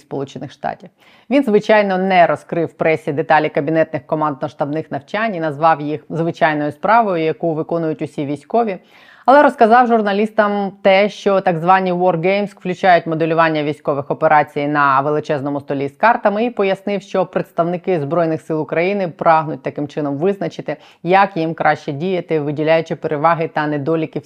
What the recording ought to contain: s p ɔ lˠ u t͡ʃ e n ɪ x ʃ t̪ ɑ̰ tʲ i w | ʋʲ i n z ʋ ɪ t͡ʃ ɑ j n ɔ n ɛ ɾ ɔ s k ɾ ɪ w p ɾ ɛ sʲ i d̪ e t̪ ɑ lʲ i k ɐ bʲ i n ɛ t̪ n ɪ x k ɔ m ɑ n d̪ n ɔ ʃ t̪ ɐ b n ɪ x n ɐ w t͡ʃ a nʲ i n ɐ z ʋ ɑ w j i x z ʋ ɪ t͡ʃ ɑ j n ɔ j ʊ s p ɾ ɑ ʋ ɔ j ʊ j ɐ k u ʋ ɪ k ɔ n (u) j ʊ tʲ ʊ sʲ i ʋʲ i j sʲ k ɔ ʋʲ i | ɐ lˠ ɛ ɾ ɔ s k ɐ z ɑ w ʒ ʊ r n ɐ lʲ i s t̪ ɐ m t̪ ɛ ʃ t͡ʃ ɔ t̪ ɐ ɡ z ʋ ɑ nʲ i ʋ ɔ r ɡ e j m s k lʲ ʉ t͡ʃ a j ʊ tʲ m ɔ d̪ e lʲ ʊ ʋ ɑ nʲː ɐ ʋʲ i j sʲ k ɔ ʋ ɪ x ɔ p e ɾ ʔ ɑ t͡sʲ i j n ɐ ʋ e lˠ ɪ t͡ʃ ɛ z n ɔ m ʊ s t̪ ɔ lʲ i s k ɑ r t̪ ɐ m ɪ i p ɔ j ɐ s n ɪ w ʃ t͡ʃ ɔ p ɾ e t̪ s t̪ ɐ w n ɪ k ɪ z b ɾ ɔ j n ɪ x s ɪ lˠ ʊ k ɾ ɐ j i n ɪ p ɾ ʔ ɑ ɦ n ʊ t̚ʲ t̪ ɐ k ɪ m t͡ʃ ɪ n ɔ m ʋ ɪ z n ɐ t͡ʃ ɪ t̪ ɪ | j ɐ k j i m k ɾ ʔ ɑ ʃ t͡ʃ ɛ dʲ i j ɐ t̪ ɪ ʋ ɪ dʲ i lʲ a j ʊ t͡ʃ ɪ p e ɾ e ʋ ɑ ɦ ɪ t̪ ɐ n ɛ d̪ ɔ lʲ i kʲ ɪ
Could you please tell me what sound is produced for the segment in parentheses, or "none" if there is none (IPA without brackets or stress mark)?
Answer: ʊ